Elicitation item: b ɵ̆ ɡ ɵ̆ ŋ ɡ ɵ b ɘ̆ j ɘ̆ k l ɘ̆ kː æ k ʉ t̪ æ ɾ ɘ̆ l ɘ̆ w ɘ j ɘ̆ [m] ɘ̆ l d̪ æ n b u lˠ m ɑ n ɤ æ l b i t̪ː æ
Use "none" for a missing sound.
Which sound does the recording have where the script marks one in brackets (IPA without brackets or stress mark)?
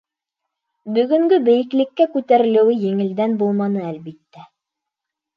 ŋ